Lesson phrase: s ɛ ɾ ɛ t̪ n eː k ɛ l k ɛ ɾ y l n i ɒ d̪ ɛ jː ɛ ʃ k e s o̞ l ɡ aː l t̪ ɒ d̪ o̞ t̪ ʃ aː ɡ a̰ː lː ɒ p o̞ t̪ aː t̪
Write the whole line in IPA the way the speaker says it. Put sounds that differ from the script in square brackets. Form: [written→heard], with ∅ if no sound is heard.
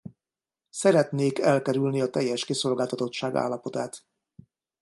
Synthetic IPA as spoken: s ɛ ɾ ɛ t̪ n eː k ɛ l k ɛ ɾ y l n i ɒ [d̪→t̪] ɛ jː ɛ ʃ k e s o̞ l ɡ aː l t̪ ɒ [d̪→t̪] o̞ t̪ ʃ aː ɡ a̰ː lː ɒ p o̞ t̪ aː t̪